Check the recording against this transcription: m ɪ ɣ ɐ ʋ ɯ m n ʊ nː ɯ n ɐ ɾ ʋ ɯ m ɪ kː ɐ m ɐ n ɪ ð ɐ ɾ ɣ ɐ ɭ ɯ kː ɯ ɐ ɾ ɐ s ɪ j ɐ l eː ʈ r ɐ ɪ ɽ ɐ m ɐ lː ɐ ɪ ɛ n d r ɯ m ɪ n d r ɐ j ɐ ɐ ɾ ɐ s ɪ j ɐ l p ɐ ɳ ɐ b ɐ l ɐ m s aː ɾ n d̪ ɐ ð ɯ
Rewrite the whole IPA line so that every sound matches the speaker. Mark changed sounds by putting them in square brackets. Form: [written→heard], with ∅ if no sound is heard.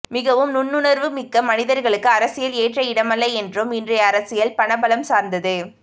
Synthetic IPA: m ɪ ɣ ɐ ʋ ɯ m n ʊ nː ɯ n ɐ ɾ ʋ ɯ m ɪ kː ɐ m ɐ n ɪ ð ɐ ɾ ɣ ɐ ɭ ɯ kː ɯ ɐ ɾ ɐ s ɪ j ɐ l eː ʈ r ɐ ɪ ɽ ɐ m ɐ lː ɐ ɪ ɛ n d r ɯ m ɪ n d r ɐ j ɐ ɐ ɾ ɐ s ɪ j ɐ l p ɐ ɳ ɐ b ɐ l ɐ m s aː ɾ n d̪ ɐ ð ɯ

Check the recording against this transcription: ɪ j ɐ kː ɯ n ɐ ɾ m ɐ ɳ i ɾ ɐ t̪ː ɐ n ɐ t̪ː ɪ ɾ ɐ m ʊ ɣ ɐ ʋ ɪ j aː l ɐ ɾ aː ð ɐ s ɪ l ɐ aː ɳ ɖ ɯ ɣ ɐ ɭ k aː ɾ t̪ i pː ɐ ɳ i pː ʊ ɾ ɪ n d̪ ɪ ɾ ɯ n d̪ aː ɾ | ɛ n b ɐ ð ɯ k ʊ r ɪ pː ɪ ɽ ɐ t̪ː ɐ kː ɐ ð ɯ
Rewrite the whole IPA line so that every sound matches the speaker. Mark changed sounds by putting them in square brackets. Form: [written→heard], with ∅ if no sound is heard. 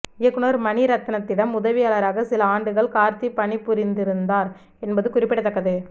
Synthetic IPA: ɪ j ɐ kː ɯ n ɐ ɾ m ɐ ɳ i ɾ ɐ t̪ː ɐ n ɐ t̪ː ɪ [ɾ→ɽ] ɐ m ʊ [ɣ→ð] ɐ ʋ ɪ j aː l ɐ ɾ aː [ð→ɣ] ɐ s ɪ l ɐ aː ɳ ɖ ɯ ɣ ɐ ɭ k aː ɾ t̪ i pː ɐ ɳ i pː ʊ ɾ ɪ n d̪ ɪ ɾ ɯ n d̪ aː ɾ | ɛ n b ɐ ð ɯ k ʊ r ɪ pː ɪ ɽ ɐ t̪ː ɐ kː ɐ ð ɯ

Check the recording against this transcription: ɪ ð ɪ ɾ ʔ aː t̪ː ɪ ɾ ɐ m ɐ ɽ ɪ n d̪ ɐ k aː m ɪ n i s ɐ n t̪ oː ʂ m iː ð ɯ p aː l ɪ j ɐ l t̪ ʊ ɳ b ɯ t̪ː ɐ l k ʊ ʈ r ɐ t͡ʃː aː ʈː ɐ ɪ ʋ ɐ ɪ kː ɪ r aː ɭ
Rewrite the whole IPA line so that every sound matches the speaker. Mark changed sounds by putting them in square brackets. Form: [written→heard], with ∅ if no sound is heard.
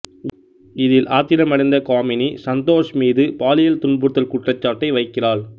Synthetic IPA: ɪ ð ɪ [ɾ→l] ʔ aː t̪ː ɪ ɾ ɐ m ɐ ɽ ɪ n d̪ ɐ k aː m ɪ n i s ɐ n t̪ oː ʂ m iː ð ɯ p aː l ɪ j ɐ l t̪ ʊ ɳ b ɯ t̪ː ɐ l k ʊ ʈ r ɐ t͡ʃː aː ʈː ɐ ɪ ʋ ɐ ɪ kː ɪ r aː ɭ

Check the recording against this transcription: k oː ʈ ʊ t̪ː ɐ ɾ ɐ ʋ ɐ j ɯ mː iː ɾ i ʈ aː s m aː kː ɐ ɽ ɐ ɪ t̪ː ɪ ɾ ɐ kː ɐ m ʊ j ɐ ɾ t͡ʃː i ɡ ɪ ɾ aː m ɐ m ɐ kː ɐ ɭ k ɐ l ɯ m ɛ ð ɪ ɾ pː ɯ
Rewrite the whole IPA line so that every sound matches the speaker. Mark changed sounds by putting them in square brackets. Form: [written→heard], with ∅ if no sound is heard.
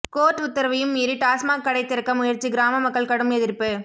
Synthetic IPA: k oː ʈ ʊ t̪ː ɐ ɾ ɐ ʋ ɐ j ɯ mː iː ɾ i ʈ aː s m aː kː ɐ ɽ ɐ ɪ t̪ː ɪ ɾ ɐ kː ɐ m ʊ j ɐ ɾ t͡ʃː i ɡ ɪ ɾ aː m ɐ m ɐ kː ɐ ɭ k ɐ [l→ɽ] ɯ m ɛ ð ɪ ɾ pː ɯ

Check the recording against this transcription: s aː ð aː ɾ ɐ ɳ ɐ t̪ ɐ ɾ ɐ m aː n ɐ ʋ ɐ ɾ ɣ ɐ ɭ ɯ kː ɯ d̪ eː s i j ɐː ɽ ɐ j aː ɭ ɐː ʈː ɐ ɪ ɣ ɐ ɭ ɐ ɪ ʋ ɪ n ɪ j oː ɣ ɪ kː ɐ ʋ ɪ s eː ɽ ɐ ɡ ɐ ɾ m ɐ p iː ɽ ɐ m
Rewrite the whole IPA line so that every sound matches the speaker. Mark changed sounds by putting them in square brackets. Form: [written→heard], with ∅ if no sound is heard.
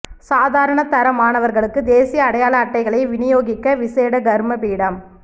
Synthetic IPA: s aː ð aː ɾ ɐ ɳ ɐ t̪ ɐ ɾ ɐ m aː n ɐ ʋ ɐ ɾ ɣ ɐ ɭ ɯ kː ɯ d̪ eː s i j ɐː ɽ ɐ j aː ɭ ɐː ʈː ɐ ɪ ɣ ɐ ɭ ɐ ɪ ʋ ɪ n ɪ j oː ɣ ɪ kː ɐ ʋ ɪ s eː ɽ ɐ ɡ ɐ ɾ m ɐ p iː ɽ ɐ m

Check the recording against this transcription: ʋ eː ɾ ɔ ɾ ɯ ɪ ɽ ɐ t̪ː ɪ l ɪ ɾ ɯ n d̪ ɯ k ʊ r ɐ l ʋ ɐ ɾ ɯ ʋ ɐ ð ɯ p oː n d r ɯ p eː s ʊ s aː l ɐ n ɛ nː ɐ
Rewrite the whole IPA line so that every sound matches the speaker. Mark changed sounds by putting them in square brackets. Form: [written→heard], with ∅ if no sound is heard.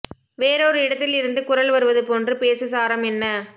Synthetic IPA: ʋ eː ɾ ɔ ɾ ɯ ɪ ɽ ɐ t̪ː ɪ l ɪ ɾ ɯ n d̪ ɯ k ʊ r ɐ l ʋ ɐ ɾ ɯ ʋ ɐ ð ɯ p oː n d r ɯ p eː s [ʊ→ɯ] s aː [l→ɾ] ɐ [n→m] ɛ nː ɐ

